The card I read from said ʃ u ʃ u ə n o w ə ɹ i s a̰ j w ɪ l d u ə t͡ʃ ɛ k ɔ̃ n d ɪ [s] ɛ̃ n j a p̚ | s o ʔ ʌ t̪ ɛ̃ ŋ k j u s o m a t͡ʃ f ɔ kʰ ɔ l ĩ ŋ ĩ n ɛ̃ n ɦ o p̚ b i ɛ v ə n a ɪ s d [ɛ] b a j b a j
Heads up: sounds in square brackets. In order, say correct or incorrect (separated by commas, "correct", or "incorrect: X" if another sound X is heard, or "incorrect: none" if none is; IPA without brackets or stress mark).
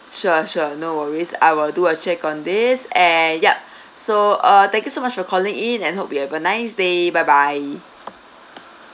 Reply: correct, incorrect: e